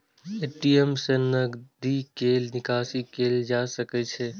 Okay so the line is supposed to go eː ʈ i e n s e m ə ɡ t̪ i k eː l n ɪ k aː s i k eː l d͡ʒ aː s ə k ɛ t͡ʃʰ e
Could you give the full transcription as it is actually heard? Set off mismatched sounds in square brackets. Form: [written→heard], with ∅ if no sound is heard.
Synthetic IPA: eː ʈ i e [n→m] s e [m→n] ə ɡ [t̪→d̪] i k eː l n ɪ k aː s i k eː l d͡ʒ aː s ə k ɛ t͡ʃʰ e